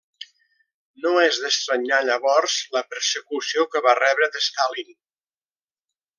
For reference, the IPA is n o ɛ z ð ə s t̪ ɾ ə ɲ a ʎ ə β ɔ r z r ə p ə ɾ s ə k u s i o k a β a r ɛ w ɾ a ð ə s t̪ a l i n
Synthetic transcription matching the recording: n o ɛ z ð ə s t̪ ɾ ə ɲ a ʎ ə β ɔ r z l ə p ə ɾ s ə k u s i o k ə β a r ɛ β ɾ ə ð ə s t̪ a l i n